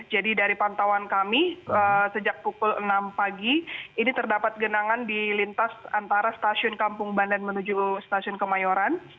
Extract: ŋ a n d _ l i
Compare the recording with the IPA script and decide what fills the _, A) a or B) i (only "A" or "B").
B